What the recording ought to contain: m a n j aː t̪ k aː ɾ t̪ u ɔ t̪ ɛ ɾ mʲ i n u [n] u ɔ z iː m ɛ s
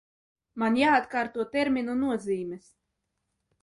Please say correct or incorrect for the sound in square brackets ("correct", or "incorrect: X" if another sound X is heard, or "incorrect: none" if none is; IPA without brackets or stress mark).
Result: correct